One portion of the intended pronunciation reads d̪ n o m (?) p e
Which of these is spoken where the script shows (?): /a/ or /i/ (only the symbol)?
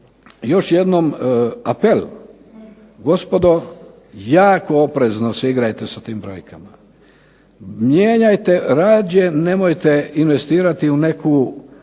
a